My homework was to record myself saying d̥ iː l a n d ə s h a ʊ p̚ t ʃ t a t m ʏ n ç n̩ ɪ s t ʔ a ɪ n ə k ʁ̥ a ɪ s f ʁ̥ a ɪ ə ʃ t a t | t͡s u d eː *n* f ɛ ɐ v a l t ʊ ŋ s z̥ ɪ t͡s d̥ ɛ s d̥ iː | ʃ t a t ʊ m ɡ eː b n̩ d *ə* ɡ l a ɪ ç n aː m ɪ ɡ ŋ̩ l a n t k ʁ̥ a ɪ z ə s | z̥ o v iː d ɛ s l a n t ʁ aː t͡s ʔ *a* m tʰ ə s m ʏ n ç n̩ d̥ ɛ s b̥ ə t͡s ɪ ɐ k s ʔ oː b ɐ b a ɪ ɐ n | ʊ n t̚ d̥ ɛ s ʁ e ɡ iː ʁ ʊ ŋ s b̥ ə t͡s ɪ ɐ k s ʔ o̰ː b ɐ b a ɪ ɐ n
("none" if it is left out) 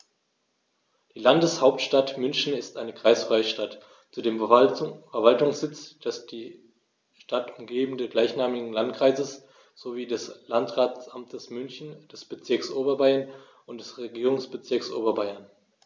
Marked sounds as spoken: m, ə, a

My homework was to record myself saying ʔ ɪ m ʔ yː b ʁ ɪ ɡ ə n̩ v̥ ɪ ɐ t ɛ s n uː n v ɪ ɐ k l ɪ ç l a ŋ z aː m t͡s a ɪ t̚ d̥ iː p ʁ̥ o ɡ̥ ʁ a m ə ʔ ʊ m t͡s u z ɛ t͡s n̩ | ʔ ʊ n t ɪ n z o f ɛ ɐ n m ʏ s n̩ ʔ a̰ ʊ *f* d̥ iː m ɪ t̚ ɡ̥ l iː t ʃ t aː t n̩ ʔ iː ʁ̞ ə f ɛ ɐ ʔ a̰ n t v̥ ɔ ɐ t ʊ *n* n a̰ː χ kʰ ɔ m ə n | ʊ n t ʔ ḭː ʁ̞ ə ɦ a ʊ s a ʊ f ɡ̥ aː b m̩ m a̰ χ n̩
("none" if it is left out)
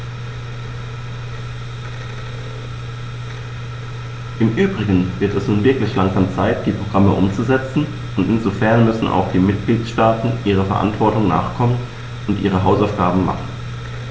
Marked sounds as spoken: x, ŋ

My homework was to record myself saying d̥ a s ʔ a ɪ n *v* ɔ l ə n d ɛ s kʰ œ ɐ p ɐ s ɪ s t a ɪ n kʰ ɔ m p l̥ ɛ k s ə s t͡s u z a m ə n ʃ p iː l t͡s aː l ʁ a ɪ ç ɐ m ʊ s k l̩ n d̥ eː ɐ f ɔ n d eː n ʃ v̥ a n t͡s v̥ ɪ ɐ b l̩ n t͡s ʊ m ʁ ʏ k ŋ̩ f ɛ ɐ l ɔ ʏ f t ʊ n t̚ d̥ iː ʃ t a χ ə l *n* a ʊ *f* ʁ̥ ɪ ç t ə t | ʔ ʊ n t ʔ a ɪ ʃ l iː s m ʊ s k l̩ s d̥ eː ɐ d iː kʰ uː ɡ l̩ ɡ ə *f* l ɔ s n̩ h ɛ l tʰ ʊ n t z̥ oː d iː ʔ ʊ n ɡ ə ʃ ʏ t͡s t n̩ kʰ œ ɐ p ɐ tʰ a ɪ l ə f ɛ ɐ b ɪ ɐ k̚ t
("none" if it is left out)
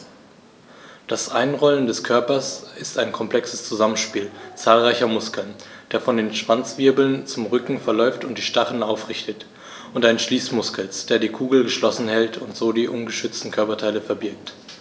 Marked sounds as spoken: ʁ, n, f, ʃ

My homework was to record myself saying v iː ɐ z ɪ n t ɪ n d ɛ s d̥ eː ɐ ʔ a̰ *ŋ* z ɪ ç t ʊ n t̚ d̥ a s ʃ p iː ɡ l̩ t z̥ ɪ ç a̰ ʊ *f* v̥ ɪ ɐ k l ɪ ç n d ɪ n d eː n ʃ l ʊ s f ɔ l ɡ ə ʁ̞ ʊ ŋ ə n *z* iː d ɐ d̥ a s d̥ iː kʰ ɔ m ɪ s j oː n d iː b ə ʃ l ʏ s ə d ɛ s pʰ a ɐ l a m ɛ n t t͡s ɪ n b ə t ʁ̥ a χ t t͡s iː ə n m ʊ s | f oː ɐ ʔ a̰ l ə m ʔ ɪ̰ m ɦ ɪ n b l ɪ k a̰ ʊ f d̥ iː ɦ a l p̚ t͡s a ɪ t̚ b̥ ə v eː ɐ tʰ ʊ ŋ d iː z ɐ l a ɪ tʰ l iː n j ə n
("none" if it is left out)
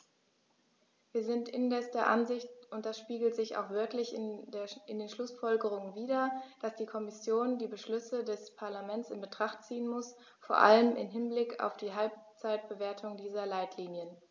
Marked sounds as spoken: n, x, v

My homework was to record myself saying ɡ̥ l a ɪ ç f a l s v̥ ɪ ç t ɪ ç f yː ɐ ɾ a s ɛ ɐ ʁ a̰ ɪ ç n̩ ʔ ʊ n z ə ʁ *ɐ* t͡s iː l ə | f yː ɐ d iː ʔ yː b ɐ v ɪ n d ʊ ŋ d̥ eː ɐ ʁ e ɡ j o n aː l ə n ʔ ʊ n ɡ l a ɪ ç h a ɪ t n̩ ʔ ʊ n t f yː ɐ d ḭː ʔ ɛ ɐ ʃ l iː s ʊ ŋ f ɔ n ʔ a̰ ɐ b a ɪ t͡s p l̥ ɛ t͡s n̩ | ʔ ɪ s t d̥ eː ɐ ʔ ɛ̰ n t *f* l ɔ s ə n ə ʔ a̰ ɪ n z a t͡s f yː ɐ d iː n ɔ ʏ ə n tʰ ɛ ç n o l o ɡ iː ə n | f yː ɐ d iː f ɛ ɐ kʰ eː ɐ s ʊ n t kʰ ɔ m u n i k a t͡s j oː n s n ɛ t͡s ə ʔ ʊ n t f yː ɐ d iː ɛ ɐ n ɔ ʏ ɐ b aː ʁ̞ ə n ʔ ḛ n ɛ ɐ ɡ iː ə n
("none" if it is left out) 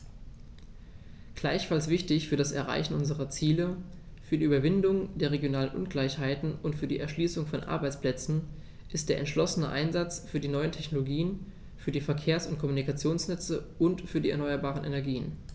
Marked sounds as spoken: ɐ, ʃ

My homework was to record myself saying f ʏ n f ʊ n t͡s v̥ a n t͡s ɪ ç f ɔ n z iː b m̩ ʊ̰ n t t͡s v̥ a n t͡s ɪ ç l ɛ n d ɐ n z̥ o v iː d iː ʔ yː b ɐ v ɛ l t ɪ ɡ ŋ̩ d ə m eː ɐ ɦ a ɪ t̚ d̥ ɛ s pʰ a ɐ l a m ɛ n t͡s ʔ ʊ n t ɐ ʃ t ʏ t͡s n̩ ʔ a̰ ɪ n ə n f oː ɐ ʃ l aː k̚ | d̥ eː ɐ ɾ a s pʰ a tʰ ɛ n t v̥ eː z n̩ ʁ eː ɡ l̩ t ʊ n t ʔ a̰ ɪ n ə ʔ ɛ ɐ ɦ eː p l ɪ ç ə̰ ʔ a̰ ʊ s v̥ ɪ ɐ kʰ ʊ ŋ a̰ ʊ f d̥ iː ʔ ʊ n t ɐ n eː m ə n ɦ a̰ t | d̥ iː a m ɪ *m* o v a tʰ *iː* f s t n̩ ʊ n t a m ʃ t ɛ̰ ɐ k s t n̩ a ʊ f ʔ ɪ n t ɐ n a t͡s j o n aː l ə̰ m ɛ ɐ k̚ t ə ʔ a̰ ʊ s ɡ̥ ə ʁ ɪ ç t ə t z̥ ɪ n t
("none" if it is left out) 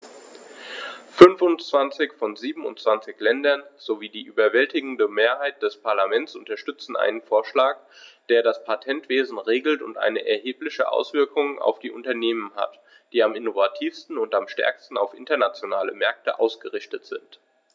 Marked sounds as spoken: n, iː

